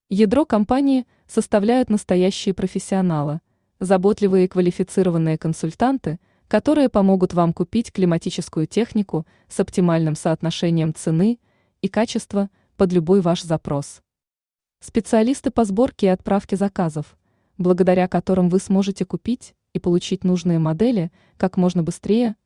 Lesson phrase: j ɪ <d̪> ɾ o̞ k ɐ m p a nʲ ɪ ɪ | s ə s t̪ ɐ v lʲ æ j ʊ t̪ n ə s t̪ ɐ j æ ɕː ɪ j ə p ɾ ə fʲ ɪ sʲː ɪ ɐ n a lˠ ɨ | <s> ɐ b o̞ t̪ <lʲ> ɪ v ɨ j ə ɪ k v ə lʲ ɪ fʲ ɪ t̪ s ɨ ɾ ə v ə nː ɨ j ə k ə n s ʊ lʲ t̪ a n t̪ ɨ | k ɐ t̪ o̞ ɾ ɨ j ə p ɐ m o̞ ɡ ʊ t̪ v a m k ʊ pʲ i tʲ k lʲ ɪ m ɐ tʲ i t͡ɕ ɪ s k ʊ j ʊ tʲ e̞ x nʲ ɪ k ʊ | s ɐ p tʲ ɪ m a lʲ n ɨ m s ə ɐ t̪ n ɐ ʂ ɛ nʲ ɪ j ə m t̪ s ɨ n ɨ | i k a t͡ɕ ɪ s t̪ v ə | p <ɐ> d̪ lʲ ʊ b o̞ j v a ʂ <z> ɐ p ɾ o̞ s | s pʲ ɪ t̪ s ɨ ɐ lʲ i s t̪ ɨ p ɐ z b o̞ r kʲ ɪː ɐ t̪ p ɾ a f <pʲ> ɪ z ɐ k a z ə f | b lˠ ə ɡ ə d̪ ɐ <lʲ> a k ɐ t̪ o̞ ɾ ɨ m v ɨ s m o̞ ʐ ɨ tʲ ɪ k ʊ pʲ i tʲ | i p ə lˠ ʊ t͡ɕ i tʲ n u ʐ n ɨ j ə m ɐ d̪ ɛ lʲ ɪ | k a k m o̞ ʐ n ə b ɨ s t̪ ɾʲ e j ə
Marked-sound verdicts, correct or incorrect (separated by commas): correct, incorrect, correct, incorrect, correct, incorrect, incorrect